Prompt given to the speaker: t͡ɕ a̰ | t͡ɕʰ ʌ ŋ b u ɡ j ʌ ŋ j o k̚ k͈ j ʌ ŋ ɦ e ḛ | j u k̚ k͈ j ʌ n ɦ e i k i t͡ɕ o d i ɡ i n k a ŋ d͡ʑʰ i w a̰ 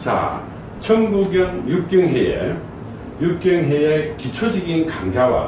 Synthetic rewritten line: t͡ɕ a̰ | t͡ɕʰ ʌ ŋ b u ɡ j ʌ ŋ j u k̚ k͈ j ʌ ŋ ɦ e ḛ | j u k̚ k͈ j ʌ ŋ ɦ e e k i t͡ɕʰ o d͡ʑ i ɡ i n k a ŋ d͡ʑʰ a w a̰